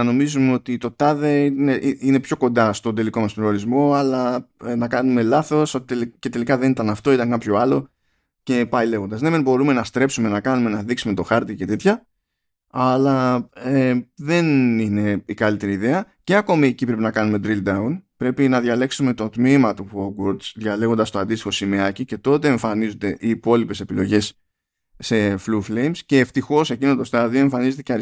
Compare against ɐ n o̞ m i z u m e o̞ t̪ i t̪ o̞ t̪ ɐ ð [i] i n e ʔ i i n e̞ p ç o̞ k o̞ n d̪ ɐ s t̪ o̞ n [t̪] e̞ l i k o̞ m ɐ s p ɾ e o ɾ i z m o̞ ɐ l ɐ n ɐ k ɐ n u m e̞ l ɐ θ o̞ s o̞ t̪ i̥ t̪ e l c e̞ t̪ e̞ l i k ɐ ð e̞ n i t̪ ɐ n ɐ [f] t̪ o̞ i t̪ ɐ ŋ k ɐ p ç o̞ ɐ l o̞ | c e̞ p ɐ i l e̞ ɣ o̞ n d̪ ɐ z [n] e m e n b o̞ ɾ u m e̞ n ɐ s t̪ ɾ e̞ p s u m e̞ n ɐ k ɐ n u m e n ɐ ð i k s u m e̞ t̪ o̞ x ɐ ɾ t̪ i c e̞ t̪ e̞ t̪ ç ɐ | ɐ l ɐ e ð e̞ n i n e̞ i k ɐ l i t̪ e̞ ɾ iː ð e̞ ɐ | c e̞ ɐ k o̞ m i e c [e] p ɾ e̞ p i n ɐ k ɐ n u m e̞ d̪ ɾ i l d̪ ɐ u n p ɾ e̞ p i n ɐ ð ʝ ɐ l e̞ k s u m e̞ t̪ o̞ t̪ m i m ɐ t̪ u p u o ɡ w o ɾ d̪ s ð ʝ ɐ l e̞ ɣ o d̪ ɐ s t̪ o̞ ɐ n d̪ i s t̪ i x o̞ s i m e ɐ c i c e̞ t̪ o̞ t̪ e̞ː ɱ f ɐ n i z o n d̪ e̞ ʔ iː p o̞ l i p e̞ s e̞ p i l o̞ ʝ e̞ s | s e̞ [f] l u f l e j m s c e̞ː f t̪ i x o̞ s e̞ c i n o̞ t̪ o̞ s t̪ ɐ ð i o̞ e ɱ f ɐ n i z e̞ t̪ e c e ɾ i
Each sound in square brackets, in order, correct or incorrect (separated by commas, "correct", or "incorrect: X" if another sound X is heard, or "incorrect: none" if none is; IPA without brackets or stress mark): incorrect: e, incorrect: d̪, correct, correct, incorrect: i, correct